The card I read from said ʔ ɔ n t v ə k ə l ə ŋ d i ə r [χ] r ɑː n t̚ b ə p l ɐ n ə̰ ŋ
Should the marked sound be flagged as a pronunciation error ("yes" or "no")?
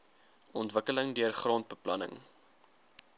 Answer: no